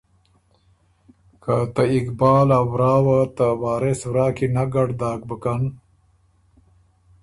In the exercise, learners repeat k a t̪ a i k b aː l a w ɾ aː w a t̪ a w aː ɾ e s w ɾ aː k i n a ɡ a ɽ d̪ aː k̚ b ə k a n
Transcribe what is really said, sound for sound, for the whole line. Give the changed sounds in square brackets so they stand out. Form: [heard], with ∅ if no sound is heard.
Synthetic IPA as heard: k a t̪ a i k b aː l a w ɾ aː w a t̪ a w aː ɾ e s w ɾ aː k i n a ɡ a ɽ d̪ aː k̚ b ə k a n